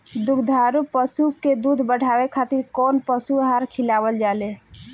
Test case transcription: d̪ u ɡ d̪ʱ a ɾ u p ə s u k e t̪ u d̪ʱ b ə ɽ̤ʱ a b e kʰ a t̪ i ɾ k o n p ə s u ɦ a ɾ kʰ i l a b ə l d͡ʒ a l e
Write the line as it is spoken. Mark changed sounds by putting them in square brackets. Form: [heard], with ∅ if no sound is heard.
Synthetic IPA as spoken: d̪ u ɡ d̪ʱ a ɾ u p ə s u k e [d̪] u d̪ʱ b ə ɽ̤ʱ a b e kʰ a t̪ i ɾ k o n p ə s u ɦ a ɾ kʰ i l a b ə l d͡ʒ a l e